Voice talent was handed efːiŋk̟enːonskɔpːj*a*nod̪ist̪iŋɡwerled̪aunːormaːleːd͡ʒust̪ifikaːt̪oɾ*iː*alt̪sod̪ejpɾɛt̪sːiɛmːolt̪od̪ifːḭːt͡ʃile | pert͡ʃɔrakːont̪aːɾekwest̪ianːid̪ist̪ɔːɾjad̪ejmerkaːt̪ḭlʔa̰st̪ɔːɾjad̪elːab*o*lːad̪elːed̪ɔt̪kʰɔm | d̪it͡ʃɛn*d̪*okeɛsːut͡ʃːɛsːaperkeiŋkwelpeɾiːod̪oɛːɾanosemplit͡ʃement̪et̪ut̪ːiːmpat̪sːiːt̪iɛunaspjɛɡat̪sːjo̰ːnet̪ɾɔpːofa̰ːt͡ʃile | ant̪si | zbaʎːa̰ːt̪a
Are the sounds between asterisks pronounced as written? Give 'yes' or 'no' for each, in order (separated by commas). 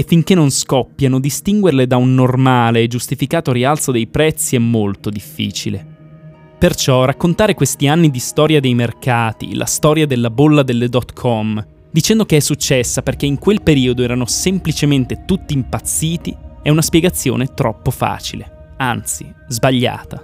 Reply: yes, no, yes, yes